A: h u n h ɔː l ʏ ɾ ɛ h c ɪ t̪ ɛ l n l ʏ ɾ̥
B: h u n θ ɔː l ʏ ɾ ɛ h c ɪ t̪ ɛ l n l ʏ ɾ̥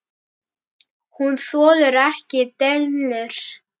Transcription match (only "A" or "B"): B